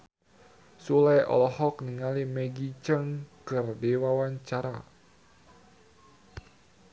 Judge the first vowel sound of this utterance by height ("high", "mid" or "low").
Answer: high